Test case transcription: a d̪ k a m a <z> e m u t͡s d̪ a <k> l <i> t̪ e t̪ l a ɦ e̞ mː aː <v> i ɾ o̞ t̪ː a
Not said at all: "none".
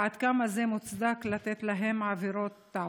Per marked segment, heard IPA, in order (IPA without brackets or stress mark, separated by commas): z, k, a, v